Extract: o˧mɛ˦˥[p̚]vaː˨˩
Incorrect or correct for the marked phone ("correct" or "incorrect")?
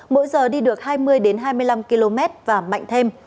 incorrect